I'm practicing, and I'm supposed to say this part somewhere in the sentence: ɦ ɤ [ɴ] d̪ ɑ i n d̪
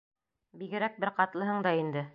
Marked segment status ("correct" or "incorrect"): correct